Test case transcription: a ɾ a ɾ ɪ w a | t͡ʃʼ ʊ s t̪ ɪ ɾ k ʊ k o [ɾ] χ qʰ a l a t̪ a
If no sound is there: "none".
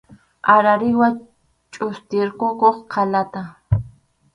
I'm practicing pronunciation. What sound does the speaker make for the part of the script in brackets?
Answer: none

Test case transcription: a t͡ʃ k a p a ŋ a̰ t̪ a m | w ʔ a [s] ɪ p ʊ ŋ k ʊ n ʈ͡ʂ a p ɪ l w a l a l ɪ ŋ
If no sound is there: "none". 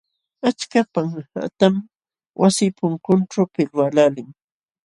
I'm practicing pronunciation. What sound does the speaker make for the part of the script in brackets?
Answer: s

